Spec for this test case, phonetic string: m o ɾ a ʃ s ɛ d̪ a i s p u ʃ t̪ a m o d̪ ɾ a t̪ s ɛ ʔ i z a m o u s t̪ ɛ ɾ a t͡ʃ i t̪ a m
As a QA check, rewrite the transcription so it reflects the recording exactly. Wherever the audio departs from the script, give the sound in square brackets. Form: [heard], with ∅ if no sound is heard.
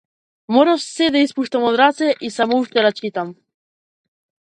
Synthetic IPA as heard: m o ɾ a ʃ s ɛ d̪ a i s p u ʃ t̪ a m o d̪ ɾ a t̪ s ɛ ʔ i [s] a m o u [ʃ] t̪ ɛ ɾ a t͡ʃ i t̪ a m